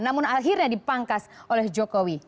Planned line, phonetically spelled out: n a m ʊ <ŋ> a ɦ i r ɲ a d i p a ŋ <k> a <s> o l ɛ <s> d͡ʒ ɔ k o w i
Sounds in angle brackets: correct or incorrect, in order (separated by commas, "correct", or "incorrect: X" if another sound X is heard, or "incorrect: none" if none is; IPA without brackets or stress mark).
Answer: incorrect: n, correct, correct, incorrect: h